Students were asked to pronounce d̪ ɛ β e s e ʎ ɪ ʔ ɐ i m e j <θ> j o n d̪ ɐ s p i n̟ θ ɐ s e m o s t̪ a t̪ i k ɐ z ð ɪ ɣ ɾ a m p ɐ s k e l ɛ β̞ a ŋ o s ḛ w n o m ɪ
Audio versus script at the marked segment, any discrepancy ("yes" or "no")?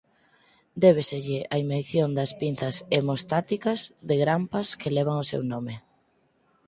no